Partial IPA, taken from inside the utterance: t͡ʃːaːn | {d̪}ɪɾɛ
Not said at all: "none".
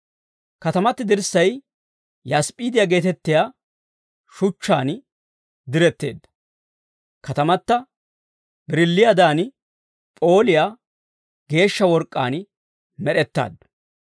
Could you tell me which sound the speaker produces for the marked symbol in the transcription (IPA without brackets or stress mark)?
d̪